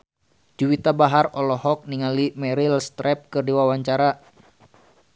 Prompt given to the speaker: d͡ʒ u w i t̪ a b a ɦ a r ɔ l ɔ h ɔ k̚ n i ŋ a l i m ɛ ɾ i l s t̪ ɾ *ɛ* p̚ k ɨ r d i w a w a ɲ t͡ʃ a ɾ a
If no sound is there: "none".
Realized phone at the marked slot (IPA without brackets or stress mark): ɛ